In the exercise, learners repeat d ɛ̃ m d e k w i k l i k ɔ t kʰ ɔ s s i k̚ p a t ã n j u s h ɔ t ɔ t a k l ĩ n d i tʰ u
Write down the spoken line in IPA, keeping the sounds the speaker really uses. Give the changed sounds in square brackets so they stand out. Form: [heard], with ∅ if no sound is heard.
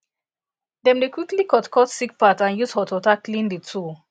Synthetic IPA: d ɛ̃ m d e k w i k l i k ɔ t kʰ ɔ [t] s i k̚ p a t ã n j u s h ɔ t ɔ t a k l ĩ n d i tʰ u